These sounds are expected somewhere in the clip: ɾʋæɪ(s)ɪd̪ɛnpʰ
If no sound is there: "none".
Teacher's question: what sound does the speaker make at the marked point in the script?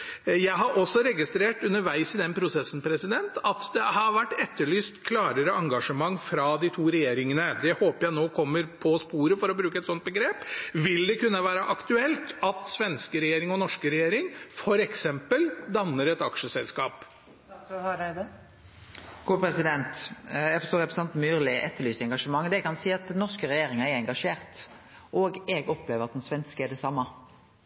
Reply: s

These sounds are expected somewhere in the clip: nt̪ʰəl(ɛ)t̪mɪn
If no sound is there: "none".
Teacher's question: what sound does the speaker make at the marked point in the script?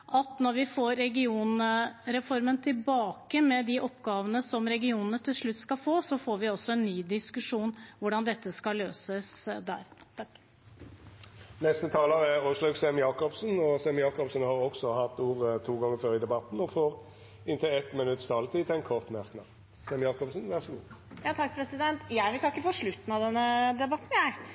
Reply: ɛ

